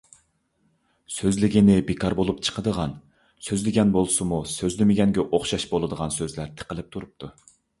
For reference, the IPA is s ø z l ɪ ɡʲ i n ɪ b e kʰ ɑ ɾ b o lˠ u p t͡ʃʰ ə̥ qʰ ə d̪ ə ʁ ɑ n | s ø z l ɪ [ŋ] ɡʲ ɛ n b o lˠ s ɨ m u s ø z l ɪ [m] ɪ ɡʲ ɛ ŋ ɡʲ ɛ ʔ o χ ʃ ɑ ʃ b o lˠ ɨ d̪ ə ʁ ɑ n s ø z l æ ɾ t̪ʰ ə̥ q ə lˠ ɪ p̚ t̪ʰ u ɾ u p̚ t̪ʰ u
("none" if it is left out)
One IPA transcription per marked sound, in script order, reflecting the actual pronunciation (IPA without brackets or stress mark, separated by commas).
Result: none, m